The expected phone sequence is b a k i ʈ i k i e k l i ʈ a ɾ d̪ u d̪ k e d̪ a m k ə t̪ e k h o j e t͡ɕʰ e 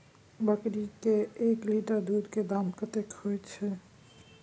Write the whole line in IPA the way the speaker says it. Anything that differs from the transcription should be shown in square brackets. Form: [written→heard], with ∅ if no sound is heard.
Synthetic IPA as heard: b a k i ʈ i k [i→e] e k l i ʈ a ɾ d̪ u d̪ k e d̪ a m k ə t̪ e k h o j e t͡ɕʰ e